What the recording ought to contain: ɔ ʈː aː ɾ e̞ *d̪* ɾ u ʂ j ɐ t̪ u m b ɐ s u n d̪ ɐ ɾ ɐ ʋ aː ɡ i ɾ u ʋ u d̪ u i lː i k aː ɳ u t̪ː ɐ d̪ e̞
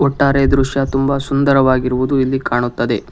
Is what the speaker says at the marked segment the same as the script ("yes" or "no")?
yes